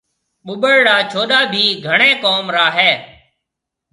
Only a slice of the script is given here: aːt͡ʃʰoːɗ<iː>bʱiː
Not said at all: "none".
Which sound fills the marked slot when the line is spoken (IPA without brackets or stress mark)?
aː